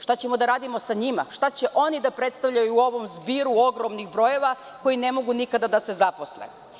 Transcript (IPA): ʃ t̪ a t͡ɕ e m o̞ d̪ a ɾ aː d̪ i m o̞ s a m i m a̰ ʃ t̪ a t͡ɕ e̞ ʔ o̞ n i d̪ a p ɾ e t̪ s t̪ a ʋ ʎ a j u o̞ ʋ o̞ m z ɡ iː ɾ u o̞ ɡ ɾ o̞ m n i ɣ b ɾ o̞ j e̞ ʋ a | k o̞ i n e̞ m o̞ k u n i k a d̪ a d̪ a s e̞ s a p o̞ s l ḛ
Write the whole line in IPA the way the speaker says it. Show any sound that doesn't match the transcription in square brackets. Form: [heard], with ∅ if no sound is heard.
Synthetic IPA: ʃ t̪ a t͡ɕ e m o̞ d̪ a ɾ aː d̪ i m o̞ s a [ɲ] i m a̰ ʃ t̪ a t͡ɕ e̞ ʔ o̞ n i d̪ a p ɾ e t̪ s t̪ a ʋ ʎ a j u o̞ ʋ o̞ m z [b] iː ɾ u o̞ ɡ ɾ o̞ m n i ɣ b ɾ o̞ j e̞ ʋ a | k o̞ i n e̞ m o̞ [ɡ] u n i k a d̪ a d̪ a s e̞ [z] a p o̞ s l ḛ